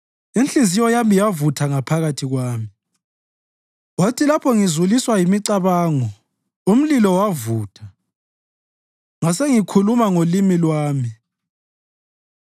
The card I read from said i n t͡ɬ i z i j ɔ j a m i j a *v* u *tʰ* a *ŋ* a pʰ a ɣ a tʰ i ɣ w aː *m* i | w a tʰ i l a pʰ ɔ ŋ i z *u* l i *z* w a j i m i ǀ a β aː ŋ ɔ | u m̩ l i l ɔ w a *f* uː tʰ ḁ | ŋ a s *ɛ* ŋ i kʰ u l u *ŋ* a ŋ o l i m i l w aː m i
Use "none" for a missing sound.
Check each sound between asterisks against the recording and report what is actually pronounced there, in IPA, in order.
v, tʰ, ŋ, m, u, s, v, e, m

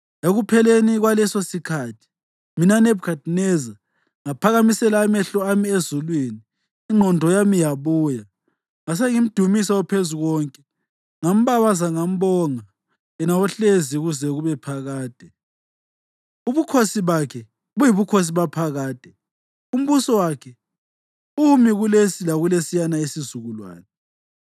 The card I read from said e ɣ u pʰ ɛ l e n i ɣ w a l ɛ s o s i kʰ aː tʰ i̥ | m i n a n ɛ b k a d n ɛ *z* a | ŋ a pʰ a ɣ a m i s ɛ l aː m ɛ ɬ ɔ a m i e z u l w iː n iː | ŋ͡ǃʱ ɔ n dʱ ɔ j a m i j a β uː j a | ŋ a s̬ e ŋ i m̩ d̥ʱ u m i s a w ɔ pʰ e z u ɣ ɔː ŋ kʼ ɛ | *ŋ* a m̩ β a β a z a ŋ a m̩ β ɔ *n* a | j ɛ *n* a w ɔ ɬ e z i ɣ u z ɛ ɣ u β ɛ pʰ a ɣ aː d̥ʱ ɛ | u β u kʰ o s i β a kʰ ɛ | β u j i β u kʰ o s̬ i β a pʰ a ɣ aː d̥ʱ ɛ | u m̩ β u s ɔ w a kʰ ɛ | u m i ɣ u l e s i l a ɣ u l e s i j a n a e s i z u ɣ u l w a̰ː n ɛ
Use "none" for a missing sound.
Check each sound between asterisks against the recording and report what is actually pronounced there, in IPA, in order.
z, ŋ, ŋ, n

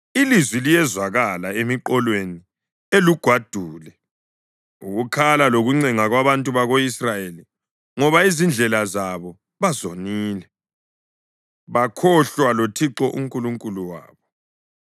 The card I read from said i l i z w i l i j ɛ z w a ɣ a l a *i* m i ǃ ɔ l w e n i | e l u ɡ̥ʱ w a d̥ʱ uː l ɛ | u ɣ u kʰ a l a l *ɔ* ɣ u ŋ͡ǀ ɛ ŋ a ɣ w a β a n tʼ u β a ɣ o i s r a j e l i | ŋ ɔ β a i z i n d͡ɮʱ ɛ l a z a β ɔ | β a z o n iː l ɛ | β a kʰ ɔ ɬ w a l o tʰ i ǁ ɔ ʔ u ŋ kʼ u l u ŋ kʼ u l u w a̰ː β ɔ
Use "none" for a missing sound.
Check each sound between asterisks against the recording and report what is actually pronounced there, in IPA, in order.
e, o

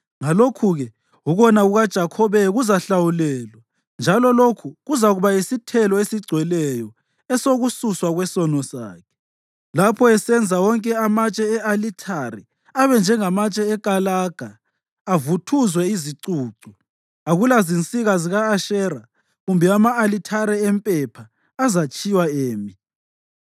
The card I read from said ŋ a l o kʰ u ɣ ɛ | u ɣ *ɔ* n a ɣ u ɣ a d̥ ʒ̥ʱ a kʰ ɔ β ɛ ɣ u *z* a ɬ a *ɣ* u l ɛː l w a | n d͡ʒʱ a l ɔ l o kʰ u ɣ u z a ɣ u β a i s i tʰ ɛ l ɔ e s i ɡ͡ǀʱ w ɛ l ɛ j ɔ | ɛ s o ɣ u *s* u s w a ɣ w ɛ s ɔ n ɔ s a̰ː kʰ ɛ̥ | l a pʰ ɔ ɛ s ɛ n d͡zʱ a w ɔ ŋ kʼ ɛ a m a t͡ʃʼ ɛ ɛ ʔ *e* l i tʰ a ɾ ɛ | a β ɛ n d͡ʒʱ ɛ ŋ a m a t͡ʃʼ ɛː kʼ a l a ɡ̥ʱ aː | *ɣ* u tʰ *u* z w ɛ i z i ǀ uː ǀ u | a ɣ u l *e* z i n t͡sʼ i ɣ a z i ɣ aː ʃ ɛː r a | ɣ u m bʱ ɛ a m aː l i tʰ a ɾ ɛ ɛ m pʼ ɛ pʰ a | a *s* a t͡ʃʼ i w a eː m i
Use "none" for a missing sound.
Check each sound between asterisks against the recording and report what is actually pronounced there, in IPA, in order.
ɔ, z, w, s, a, v, u, a, z

